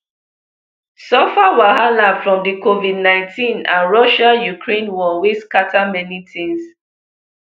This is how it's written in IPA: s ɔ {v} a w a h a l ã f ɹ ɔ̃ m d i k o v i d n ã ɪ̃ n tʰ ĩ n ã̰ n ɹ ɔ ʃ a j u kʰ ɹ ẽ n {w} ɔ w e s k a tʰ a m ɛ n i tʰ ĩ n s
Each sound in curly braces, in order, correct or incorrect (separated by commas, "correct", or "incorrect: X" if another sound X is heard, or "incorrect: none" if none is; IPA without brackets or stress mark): incorrect: f, correct